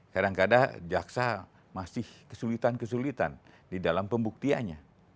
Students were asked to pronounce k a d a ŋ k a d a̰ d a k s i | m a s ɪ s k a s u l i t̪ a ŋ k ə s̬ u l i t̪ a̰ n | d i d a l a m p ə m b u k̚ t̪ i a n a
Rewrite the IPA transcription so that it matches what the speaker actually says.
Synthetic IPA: k a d a ŋ k a d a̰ d͡ʒ a k s a | m a s ɪ h k ə s u l i t̪ a n k ə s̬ u l i t̪ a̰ n | d i d a l a m p ə m b u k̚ t̪ i a ɲ a